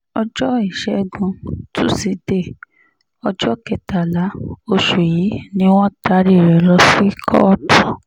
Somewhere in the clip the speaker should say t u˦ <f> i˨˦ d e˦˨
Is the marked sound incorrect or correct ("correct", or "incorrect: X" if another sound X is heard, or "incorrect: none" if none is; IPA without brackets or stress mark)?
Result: incorrect: s